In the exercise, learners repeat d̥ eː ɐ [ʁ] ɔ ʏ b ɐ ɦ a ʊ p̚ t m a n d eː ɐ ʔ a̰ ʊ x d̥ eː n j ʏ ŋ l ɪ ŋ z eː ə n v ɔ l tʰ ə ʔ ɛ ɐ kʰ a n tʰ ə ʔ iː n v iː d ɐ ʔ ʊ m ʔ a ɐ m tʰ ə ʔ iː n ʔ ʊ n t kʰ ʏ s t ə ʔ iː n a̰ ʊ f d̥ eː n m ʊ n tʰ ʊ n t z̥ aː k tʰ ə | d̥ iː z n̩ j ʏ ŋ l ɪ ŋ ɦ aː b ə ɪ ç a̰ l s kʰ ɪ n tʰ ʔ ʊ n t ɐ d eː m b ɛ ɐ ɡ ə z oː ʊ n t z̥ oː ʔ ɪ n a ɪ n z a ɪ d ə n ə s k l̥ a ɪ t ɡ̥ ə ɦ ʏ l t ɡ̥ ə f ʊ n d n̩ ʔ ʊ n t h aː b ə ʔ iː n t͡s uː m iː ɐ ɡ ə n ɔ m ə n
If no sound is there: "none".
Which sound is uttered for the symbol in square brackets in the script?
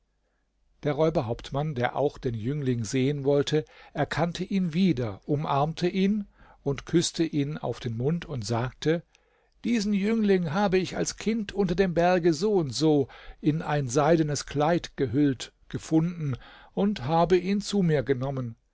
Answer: ʁ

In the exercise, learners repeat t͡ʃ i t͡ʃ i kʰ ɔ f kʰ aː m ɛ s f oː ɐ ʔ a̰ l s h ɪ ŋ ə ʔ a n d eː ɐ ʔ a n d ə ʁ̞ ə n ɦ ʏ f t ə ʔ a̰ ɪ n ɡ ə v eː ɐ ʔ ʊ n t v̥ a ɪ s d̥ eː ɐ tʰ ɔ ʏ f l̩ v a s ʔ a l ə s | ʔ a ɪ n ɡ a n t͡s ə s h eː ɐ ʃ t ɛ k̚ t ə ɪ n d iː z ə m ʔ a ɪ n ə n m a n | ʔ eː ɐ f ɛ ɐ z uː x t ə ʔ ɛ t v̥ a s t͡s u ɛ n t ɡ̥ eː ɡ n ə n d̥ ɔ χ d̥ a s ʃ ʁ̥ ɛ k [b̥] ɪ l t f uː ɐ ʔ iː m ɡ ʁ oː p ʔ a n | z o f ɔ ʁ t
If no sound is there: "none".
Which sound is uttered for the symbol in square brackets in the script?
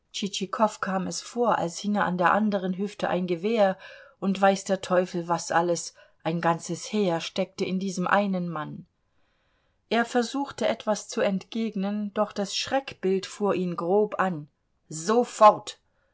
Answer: b̥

